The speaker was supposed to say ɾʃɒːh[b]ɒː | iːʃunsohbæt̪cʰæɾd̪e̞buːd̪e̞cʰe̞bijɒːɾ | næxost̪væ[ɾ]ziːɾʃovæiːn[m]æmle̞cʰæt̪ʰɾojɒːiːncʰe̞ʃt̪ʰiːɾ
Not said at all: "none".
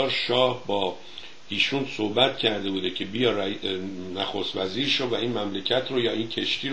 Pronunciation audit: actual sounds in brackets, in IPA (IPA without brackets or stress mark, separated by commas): b, none, m